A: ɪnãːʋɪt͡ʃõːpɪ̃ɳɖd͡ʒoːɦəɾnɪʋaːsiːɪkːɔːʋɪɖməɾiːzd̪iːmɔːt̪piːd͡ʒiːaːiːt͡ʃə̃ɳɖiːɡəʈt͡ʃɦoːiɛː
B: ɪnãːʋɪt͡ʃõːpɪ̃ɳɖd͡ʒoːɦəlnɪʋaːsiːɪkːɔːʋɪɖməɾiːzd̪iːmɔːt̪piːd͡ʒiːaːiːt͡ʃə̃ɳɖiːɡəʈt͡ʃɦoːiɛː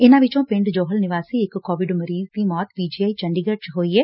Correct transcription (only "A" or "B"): B